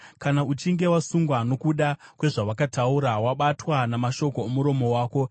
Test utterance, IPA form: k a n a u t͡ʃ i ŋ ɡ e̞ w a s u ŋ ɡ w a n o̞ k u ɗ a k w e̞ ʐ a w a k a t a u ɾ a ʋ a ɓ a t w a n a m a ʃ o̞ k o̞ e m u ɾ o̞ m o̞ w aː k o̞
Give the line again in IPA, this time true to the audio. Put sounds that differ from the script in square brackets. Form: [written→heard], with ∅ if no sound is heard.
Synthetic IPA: k a n a u t͡ʃ i ŋ ɡ e̞ w a s u ŋ ɡ w a n o̞ k u ɗ a k w e̞ ʐ a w a k a t a u ɾ a [ʋ→w] a ɓ a t w a n a m a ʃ o̞ k o̞ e m u ɾ o̞ m o̞ w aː k o̞